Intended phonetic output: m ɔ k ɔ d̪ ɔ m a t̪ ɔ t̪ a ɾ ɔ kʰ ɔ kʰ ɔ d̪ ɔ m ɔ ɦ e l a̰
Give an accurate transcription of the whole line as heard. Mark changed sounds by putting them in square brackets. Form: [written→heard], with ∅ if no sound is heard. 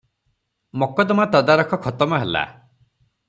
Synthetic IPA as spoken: m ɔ k ɔ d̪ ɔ m a t̪ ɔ [t̪→d̪] a ɾ ɔ kʰ ɔ kʰ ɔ [d̪→t̪] ɔ m ɔ ɦ e l a̰